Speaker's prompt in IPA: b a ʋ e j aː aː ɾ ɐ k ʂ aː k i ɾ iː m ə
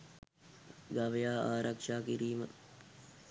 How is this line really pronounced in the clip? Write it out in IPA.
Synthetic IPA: ɡ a ʋ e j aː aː ɾ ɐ k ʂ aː k i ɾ iː m ə